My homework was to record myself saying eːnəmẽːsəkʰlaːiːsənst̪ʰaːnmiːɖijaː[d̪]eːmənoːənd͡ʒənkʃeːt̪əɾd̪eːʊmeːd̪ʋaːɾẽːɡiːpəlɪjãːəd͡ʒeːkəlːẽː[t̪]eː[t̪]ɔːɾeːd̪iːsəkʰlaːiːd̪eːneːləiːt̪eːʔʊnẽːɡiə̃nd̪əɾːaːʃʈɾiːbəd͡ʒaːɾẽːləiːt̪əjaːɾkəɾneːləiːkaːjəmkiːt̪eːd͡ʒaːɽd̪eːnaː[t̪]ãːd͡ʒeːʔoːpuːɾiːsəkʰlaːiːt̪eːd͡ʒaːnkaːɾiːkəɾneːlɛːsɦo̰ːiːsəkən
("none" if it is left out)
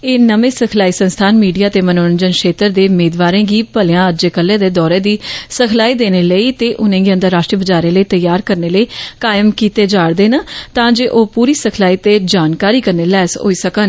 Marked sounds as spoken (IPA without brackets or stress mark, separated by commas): t̪, d̪, d̪, t̪